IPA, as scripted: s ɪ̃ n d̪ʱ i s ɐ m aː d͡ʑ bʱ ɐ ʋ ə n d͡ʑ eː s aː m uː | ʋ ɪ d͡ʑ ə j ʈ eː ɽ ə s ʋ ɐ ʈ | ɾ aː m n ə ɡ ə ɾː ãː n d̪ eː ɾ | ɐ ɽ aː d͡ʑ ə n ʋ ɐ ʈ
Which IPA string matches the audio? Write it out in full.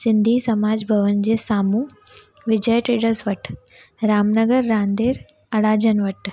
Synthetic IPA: s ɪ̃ n d̪ʱ i s ɐ m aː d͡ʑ bʱ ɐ ʋ ə n d͡ʑ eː s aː m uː | ʋ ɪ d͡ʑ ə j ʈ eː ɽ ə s ʋ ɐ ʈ | ɾ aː m n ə ɡ ə ɾː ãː n d̪ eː ɾ | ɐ ɽ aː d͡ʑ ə n ʋ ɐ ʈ